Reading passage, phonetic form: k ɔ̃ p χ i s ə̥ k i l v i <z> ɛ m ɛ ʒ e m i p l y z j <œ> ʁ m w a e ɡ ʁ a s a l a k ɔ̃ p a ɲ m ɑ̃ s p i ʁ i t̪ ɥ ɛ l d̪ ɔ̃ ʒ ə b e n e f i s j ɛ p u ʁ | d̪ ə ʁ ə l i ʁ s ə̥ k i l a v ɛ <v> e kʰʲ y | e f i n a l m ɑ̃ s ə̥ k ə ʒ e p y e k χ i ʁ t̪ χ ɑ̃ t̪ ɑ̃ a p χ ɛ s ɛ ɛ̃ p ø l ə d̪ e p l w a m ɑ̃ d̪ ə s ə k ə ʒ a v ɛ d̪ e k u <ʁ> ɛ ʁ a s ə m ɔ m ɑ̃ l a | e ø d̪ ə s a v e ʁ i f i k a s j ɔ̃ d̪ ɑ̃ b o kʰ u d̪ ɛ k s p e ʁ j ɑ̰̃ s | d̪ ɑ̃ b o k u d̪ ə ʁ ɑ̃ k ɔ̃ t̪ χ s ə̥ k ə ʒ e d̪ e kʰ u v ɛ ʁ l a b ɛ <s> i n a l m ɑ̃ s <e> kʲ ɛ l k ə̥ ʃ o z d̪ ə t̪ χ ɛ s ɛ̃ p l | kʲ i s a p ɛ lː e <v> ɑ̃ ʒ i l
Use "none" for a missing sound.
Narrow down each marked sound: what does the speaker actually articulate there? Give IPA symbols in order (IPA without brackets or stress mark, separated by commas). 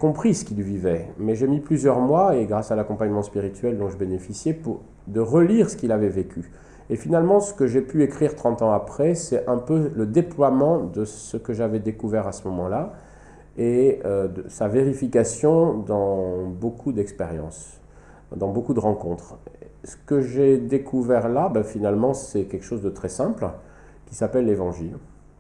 v, œ, v, v, f, ɛ, v